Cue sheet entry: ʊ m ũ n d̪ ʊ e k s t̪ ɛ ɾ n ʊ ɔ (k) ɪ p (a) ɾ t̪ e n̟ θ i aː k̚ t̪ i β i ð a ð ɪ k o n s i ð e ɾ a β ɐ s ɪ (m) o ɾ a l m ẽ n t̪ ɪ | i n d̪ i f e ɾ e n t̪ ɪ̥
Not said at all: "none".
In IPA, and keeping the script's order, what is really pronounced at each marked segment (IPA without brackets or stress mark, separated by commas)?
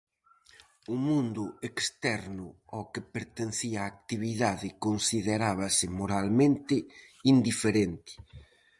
k, e, m